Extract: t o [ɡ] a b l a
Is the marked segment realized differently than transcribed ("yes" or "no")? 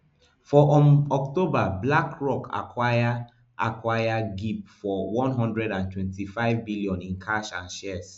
yes